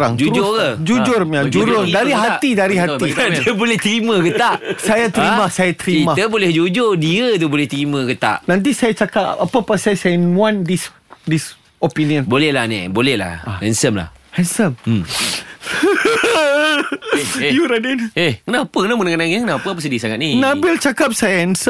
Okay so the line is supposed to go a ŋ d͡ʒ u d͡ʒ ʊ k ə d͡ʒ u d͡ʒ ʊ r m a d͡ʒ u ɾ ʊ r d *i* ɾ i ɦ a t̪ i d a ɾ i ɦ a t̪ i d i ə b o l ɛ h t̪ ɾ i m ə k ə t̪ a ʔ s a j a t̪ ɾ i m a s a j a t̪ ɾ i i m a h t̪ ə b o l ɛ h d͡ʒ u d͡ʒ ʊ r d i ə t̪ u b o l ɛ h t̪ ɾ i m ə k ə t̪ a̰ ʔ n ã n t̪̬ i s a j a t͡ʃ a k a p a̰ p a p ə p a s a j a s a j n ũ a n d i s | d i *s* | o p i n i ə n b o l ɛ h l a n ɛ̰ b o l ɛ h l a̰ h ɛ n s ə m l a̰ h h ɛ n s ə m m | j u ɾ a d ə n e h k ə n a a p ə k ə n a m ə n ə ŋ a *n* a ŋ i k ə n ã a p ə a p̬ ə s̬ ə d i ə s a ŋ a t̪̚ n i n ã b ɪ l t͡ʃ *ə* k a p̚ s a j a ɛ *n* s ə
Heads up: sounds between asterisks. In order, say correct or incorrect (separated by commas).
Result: incorrect, correct, correct, incorrect, correct